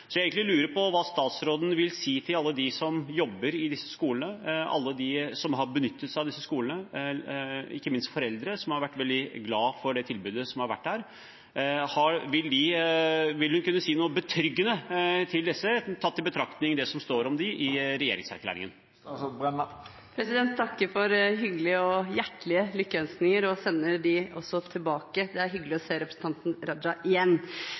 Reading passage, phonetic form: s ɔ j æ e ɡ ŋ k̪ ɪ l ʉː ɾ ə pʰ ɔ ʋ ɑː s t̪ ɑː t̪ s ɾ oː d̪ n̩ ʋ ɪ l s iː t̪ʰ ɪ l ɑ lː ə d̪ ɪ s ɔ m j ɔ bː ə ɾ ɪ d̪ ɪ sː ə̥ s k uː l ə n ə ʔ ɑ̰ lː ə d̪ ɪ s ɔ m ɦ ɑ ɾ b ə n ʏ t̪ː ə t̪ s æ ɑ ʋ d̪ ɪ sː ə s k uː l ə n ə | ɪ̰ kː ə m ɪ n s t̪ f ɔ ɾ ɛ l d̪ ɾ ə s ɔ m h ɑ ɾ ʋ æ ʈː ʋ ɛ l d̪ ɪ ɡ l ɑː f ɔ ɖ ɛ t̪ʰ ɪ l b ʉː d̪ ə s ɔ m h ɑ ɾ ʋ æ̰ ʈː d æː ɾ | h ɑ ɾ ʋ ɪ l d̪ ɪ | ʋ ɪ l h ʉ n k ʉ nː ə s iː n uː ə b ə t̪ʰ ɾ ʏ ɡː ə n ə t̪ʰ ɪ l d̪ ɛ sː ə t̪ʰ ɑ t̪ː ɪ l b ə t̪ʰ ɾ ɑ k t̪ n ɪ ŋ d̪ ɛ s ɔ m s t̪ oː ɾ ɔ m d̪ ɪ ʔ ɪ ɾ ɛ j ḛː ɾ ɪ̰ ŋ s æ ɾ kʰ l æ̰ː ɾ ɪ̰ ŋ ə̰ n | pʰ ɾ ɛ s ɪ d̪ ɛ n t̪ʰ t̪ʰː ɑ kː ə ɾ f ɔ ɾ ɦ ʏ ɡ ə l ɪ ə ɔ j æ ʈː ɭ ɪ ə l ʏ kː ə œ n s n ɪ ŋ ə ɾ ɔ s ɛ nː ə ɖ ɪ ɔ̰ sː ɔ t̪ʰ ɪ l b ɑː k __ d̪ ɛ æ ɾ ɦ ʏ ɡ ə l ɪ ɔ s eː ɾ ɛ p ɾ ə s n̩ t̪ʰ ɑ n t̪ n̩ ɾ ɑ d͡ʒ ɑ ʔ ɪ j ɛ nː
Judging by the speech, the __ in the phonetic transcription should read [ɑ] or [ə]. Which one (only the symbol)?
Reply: ə